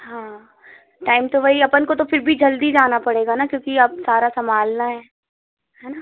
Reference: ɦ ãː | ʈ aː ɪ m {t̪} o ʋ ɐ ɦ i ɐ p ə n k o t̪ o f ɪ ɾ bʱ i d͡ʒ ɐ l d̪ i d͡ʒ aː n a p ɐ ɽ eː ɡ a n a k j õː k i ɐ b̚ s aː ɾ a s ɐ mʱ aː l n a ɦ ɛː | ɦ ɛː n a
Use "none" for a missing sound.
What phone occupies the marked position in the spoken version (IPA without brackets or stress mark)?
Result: t̪